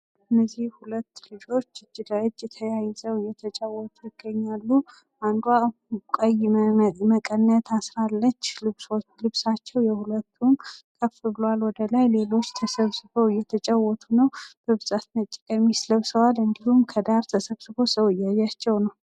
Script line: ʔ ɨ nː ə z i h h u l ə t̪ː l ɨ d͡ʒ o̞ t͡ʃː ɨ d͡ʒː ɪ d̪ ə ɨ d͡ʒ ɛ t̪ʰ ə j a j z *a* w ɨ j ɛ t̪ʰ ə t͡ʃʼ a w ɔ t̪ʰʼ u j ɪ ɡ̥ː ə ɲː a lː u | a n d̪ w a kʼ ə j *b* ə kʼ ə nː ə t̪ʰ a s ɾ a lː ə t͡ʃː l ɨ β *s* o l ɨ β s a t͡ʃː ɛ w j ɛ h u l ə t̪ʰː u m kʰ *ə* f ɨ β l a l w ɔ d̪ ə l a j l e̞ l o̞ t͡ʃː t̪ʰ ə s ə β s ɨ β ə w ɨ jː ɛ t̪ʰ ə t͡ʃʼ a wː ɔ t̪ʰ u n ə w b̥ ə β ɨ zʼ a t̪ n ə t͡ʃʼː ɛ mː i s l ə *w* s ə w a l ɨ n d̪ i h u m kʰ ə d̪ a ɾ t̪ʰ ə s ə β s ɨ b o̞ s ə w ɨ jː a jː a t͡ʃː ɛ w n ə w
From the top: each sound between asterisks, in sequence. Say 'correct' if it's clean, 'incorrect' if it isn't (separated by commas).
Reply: incorrect, incorrect, correct, correct, incorrect